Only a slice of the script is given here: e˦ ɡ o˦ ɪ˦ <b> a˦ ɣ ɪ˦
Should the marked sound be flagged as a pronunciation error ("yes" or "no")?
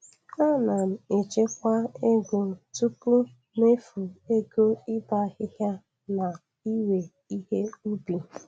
no